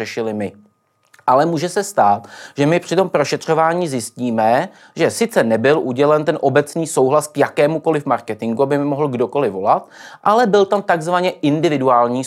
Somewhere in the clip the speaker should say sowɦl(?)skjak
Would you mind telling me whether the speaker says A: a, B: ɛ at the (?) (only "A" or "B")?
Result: A